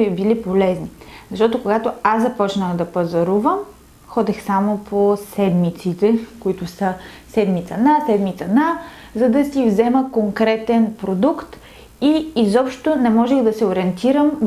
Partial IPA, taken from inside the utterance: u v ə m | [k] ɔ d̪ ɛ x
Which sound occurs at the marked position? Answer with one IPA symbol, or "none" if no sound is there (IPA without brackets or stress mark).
x